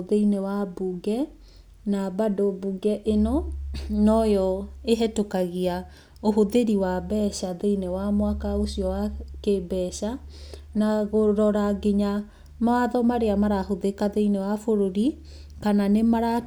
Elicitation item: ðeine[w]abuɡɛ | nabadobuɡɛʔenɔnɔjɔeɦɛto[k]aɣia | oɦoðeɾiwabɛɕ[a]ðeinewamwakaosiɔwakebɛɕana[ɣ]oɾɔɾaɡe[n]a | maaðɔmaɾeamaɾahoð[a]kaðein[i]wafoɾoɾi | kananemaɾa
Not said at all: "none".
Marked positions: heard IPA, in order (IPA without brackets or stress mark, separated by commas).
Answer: w, k, a, ɣ, ɲ, e, e